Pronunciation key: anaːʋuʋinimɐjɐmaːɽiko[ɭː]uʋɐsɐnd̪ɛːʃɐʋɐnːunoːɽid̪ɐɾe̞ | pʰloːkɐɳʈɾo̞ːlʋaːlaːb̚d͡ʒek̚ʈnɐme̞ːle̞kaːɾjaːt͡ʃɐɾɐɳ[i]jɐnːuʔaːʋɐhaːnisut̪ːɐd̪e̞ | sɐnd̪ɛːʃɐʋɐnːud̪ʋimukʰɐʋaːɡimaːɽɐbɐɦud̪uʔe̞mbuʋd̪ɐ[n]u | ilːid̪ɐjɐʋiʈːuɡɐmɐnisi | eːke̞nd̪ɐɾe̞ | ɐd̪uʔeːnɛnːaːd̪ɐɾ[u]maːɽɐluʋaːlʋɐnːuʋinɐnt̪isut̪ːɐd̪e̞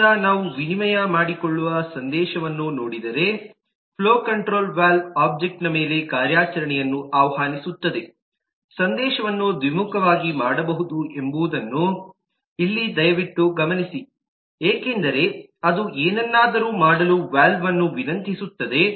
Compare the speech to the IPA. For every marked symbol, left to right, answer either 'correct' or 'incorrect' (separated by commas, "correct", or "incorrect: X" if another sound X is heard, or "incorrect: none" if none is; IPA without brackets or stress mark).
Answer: correct, incorrect: ɛ, incorrect: nː, incorrect: uː